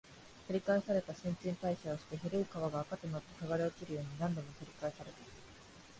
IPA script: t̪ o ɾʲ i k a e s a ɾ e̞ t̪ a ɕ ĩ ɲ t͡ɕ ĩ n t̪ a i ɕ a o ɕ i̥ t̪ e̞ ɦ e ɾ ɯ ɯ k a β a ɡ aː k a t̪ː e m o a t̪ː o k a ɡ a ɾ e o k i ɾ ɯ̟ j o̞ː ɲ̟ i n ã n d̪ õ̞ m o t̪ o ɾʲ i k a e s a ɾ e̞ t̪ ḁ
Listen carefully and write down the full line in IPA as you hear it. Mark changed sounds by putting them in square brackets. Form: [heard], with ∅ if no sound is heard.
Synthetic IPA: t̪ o ɾʲ i k a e s a ɾ e̞ t̪ a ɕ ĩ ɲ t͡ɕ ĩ n t̪ a i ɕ a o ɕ i̥ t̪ e̞ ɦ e ɾ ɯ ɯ k a β a ɡ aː k a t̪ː e m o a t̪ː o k a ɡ a ɾ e o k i ɾ ɯ̟ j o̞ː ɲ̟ i n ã n d̪ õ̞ m o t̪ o ɾʲ i k a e s a ɾ e̞ t̪ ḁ